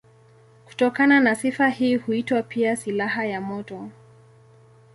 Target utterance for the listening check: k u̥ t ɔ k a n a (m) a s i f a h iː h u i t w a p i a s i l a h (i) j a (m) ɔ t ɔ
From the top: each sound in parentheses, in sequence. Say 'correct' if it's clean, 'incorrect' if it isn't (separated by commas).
incorrect, incorrect, correct